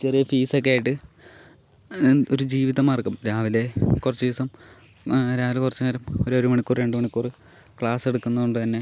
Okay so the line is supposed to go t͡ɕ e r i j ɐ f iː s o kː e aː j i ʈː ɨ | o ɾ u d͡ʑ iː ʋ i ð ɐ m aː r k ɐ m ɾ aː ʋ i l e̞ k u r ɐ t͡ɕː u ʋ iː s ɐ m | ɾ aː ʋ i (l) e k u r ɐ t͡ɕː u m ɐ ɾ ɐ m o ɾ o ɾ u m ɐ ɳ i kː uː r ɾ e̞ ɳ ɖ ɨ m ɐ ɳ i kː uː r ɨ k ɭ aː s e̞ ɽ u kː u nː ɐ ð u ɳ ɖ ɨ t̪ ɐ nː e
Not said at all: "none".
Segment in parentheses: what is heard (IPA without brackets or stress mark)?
l